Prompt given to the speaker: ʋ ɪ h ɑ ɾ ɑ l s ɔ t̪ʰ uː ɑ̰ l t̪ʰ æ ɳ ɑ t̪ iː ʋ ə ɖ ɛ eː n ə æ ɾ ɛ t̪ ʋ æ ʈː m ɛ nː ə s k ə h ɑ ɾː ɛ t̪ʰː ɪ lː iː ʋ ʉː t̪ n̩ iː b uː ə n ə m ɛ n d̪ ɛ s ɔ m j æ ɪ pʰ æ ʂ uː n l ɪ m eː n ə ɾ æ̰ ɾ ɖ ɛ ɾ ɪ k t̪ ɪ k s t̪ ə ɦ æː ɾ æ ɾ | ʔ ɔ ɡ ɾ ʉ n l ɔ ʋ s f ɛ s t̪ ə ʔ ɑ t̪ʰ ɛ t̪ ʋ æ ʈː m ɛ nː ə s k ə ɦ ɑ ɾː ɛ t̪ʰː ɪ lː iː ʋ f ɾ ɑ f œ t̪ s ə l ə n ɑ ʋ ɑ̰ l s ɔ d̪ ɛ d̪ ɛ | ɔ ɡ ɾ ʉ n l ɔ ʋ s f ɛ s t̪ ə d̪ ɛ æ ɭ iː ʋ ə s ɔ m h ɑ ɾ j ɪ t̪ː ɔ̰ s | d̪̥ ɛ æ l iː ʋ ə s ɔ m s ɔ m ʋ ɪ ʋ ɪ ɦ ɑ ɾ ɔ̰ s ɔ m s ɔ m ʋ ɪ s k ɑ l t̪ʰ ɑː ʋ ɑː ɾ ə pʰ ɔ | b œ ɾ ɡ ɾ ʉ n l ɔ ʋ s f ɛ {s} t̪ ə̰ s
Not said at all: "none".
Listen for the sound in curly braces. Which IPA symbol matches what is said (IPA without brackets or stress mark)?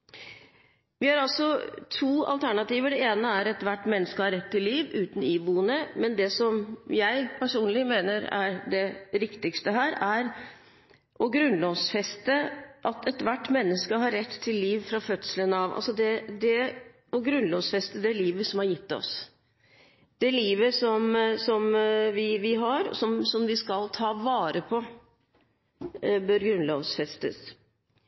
s